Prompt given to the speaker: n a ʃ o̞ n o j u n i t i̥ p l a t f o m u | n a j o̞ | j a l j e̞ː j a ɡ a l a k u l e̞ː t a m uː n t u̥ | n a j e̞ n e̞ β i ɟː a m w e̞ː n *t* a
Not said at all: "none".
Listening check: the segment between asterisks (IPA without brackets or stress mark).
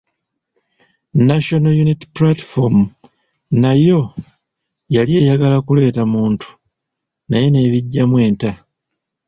t